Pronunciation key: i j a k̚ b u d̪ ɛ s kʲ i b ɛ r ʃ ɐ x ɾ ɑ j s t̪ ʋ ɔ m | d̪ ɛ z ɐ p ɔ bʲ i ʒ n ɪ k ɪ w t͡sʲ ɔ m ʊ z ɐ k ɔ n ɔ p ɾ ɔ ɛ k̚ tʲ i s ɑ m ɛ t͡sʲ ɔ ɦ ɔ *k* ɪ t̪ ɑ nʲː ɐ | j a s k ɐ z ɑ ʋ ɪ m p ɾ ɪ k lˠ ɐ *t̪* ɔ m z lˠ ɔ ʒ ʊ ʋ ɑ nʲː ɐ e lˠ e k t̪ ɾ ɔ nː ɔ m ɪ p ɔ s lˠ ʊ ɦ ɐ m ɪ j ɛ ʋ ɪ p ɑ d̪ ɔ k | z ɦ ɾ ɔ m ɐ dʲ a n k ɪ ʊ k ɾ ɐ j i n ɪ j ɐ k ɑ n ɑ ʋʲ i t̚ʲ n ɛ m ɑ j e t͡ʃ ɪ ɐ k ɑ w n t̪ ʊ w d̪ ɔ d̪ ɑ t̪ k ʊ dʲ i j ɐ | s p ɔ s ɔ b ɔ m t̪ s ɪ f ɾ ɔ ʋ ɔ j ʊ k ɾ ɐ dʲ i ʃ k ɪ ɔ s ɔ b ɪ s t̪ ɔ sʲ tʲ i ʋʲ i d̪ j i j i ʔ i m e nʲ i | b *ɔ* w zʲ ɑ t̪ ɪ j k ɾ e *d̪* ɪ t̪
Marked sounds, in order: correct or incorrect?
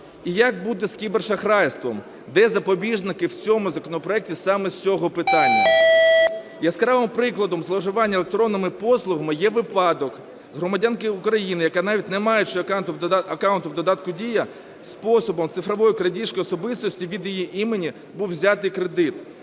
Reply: incorrect: p, incorrect: d̪, incorrect: u, correct

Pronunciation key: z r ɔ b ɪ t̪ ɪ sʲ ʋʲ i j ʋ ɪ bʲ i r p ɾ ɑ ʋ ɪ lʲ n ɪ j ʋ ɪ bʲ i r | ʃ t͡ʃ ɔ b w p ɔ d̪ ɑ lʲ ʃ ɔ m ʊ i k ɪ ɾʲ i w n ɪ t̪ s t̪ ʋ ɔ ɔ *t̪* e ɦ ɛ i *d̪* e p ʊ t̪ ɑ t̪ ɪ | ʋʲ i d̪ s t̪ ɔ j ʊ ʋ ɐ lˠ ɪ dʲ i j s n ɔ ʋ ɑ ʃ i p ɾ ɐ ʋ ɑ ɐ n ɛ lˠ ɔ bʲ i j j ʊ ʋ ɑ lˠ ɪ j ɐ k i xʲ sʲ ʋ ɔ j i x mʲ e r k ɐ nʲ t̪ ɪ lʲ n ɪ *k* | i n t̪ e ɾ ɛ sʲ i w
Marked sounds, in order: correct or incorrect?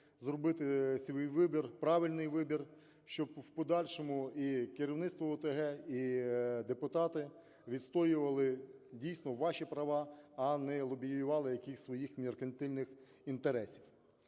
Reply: correct, correct, incorrect: x

